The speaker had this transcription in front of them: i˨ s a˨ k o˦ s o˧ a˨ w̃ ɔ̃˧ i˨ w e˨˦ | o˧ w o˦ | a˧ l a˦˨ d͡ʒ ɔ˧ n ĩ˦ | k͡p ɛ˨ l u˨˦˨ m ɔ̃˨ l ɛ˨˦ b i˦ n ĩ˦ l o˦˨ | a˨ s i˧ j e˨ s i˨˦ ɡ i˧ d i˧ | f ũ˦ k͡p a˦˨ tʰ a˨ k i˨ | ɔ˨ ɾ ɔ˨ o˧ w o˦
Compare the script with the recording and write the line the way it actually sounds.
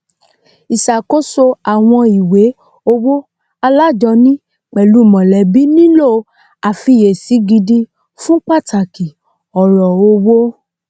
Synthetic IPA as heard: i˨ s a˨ k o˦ s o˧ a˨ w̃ ɔ̃˧ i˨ w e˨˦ | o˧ w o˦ | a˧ l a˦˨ d͡ʒ ɔ˧ n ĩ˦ | k͡p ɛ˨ l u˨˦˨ m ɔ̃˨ l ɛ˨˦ b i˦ n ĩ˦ l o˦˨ | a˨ f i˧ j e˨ s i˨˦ ɡ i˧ d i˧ | f ũ˦ k͡p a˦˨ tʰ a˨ k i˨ | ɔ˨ ɾ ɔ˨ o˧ w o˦